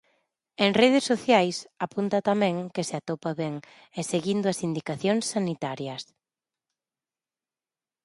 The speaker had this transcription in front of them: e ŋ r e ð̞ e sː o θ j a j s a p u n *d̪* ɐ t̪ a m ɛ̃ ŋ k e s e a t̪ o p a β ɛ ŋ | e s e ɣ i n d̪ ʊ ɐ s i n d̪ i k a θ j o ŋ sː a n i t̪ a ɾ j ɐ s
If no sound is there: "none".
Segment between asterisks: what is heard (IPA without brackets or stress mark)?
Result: t̪